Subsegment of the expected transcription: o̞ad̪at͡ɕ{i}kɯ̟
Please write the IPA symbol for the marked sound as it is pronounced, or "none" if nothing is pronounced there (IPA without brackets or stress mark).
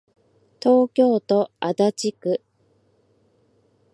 i